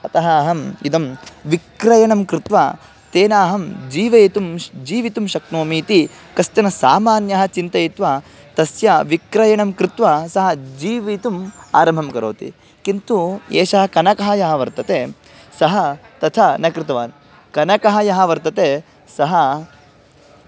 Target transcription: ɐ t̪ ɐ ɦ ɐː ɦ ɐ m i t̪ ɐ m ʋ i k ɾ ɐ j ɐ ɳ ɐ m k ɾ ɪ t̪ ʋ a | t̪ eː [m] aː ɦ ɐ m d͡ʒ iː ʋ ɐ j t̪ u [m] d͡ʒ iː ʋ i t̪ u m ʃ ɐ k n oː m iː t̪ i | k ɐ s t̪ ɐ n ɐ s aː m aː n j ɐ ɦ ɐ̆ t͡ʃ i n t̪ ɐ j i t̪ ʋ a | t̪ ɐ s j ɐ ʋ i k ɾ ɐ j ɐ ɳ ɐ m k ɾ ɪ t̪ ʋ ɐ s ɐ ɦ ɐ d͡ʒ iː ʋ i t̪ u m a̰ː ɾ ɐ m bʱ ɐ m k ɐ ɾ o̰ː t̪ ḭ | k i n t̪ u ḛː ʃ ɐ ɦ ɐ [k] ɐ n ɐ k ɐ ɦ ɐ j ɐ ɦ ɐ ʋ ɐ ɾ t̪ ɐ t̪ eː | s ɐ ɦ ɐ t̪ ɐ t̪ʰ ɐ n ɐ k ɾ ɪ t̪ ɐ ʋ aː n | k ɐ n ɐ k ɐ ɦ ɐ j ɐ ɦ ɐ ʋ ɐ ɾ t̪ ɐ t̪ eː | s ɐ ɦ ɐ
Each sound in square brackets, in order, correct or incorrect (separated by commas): incorrect, correct, correct